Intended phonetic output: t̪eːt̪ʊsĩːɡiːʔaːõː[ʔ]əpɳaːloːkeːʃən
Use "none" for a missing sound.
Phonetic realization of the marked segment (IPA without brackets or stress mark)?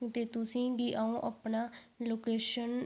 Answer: ʔ